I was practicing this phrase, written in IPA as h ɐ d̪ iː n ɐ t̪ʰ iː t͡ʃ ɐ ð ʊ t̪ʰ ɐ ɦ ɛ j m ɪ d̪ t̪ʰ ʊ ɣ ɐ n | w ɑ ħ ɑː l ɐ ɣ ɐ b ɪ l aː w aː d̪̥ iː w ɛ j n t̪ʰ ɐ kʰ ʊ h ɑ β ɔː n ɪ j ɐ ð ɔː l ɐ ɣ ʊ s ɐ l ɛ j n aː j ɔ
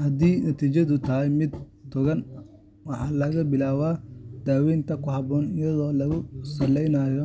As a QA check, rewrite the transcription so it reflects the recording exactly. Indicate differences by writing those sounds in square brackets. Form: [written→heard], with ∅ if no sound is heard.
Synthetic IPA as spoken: h ɐ d̪ iː n ɐ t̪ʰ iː t͡ʃ ɐ ð ʊ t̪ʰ ɐ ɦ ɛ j m ɪ d̪ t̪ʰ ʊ ɣ ɐ n | w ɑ ħ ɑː l ɐ ɣ ɐ b ɪ l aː w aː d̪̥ [iː→aː] w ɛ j n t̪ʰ ɐ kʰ ʊ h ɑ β ɔː n ɪ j ɐ ð ɔː l ɐ ɣ ʊ s ɐ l ɛ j n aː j ɔ